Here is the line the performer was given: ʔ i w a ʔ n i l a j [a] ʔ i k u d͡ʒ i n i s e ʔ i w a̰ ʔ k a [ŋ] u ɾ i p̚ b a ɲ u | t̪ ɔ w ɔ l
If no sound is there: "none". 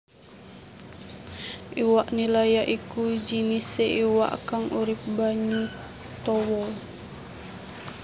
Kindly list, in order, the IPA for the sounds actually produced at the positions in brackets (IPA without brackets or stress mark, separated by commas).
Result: a, ŋ